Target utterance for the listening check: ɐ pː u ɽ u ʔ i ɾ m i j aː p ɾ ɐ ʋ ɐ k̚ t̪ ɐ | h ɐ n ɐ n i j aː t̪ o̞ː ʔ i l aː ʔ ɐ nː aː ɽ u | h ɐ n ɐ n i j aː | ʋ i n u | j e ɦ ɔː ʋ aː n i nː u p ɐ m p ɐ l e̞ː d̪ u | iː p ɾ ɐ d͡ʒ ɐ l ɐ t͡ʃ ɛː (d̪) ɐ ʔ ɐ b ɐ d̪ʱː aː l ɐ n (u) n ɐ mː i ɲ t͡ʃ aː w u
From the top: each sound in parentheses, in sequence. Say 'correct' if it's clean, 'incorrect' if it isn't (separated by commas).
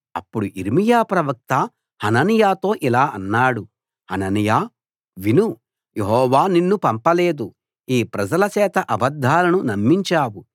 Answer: incorrect, correct